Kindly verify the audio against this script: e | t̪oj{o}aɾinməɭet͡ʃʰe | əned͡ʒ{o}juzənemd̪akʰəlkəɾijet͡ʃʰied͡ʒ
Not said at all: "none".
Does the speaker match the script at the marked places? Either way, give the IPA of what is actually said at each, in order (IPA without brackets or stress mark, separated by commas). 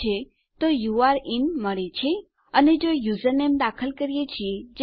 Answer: u, o